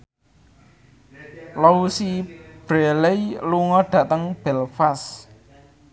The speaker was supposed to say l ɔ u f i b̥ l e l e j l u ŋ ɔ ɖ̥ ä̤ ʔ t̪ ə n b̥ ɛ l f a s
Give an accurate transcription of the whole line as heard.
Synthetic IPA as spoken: l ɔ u s i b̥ ɾ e l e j l u ŋ ɔ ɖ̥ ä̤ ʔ t̪ ə ŋ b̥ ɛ l f a s